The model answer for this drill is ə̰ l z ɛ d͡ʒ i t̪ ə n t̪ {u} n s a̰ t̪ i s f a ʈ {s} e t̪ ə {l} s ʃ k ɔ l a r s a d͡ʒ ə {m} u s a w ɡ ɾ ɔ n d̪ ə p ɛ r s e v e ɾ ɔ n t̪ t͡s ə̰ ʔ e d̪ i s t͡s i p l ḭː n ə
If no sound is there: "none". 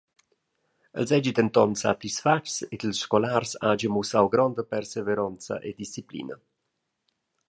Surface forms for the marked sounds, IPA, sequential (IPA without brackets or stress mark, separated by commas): ɔ, s, l, m